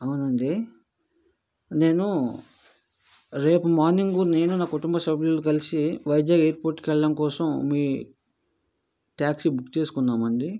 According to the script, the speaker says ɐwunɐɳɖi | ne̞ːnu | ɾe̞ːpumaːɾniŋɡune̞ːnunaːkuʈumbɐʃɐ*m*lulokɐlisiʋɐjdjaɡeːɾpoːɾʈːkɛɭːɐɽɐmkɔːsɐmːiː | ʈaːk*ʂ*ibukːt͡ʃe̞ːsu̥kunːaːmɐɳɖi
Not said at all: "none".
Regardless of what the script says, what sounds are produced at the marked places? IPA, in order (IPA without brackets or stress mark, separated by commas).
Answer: b, s